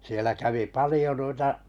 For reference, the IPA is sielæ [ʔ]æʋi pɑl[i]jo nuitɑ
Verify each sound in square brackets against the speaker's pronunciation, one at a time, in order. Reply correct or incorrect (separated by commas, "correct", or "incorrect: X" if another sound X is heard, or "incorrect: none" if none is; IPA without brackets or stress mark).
incorrect: k, correct